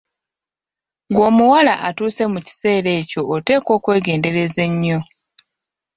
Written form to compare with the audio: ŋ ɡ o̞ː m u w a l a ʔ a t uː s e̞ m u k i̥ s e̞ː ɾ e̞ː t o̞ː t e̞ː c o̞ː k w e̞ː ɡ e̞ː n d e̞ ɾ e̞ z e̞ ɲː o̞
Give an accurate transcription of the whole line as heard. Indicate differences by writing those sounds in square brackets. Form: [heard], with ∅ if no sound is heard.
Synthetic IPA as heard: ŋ ɡ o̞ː m u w a l a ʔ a t uː s e̞ m u [c] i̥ s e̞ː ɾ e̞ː [c] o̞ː t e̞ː [k] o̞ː k w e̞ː ɡ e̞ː n d e̞ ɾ e̞ z e̞ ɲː o̞